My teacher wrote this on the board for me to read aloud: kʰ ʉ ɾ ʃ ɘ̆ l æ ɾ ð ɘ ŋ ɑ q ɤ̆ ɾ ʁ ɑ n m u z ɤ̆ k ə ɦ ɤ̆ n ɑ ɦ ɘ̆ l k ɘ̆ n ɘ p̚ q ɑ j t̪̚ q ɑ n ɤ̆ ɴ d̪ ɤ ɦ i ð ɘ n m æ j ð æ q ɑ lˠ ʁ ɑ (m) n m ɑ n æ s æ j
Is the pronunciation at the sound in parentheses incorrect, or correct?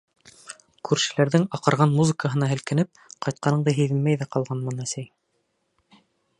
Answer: incorrect